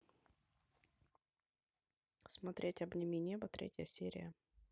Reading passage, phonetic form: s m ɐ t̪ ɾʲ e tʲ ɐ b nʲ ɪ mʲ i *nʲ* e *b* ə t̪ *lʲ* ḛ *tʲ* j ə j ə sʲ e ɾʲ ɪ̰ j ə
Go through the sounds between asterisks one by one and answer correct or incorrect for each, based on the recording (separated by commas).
correct, correct, incorrect, correct